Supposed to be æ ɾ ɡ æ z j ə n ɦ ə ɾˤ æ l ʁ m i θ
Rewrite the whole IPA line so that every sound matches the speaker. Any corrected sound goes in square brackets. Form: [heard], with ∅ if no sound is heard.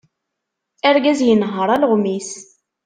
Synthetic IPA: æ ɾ ɡ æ z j ə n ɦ ə ɾˤ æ l ʁ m i [s]